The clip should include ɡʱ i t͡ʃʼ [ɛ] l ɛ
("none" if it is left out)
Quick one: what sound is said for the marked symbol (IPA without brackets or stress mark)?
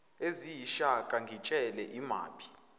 ɛ